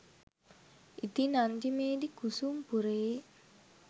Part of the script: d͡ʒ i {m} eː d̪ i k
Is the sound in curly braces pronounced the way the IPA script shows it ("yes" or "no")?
yes